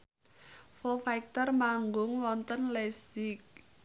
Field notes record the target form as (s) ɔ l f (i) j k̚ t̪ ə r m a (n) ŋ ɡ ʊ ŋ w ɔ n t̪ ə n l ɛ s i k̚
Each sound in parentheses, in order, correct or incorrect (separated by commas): incorrect, incorrect, incorrect